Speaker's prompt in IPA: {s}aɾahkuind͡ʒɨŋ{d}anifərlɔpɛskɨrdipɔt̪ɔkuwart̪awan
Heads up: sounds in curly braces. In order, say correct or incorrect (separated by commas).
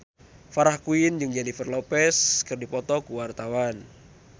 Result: incorrect, incorrect